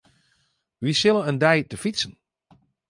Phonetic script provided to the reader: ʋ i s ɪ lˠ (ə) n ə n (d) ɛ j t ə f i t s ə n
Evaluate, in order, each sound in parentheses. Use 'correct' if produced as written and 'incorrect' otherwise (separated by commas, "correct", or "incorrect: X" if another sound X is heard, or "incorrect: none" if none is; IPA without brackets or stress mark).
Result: correct, correct